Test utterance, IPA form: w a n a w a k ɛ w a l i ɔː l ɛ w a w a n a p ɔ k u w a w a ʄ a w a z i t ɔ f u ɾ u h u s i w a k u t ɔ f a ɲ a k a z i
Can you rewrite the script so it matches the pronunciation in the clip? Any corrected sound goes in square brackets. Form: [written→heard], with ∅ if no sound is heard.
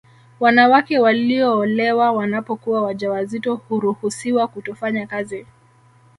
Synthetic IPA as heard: w a n a w a k ɛ w a l i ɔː l ɛ w a w a n a p ɔ k u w a w a ʄ a w a z i t ɔ [f→h] u ɾ u h u s i w a k u t ɔ f a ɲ a k a z i